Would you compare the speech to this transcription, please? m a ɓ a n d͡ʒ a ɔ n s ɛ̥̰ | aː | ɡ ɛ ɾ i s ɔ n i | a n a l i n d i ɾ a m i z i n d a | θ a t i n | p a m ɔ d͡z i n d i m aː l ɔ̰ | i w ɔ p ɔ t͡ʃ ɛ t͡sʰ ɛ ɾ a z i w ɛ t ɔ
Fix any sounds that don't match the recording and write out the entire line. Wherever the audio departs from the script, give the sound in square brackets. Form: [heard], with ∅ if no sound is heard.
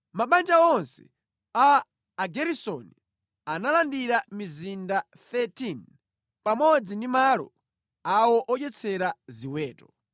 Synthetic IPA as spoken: m a ɓ a n d͡ʒ a ɔ n s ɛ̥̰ | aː | ɡ ɛ ɾ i s ɔ n i | a n a l [a] n d i ɾ a m i z i n d a | θ [ɛ] t i n | p a m ɔ d͡z i n d i m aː l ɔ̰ | [a] w ɔ [ʔ] ɔ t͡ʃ ɛ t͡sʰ ɛ ɾ a z i w [ɛː] t ɔ

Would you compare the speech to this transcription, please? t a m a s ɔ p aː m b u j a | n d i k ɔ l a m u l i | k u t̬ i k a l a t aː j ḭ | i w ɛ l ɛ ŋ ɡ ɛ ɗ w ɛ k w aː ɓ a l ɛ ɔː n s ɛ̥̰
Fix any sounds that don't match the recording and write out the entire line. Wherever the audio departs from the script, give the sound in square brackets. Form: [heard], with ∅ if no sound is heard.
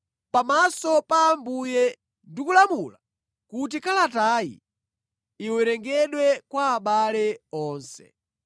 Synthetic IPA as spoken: [p] a m a s ɔ p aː m b u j [ɛ] | n d i k [u] l a m u l [a] | k u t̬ i k a l a t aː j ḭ | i w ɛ [ɾ] ɛ ŋ ɡ ɛ ɗ w ɛ k w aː ɓ a l ɛ ɔː n s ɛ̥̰

